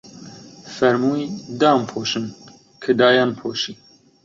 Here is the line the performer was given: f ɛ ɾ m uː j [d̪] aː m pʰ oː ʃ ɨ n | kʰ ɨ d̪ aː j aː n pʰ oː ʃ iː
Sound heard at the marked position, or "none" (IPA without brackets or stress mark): d̪